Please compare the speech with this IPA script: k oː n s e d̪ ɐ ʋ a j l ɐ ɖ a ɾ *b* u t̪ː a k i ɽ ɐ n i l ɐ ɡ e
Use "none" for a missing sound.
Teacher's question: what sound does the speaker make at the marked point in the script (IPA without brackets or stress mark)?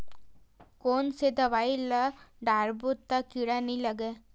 b